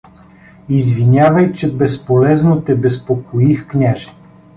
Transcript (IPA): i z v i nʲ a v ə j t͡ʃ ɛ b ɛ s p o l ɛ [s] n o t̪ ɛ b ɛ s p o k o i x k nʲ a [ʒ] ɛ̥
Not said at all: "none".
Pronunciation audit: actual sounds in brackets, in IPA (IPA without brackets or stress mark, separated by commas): z, ʒ